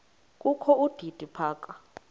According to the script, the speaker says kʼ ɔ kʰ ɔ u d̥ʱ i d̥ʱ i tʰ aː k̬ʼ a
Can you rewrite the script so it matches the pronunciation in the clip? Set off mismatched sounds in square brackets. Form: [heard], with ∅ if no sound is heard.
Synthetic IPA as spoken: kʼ [u] kʰ ɔ u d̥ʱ i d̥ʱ i [pʰ] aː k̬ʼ a